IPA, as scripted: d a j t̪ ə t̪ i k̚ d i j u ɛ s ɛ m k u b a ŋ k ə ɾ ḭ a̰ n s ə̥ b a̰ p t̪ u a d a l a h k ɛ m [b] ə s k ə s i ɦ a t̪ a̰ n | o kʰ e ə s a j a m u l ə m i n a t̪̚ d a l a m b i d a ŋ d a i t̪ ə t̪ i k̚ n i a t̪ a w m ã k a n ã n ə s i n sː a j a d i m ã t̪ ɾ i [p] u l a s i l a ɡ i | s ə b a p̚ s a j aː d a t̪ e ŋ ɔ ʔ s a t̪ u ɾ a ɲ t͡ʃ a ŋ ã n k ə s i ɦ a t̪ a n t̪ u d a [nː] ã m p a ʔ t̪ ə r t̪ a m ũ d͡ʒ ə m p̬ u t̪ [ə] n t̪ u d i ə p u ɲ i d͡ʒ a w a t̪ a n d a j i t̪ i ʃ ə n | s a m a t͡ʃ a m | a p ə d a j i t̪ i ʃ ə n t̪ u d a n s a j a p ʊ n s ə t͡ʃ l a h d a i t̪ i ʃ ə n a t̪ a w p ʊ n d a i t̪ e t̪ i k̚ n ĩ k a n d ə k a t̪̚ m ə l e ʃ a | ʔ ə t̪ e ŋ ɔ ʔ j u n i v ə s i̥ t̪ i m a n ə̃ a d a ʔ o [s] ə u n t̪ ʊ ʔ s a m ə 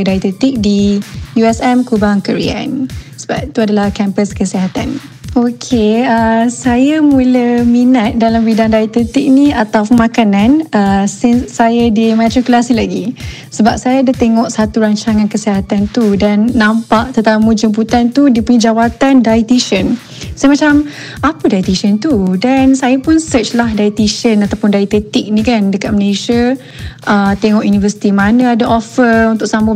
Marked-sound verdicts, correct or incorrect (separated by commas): incorrect, incorrect, correct, incorrect, incorrect